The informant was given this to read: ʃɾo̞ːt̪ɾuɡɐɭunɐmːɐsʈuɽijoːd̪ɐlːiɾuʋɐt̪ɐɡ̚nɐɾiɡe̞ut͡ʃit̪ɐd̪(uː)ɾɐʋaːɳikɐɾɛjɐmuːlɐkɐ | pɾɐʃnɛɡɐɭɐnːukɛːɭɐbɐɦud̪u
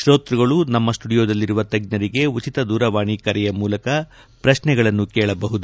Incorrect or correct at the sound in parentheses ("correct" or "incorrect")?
correct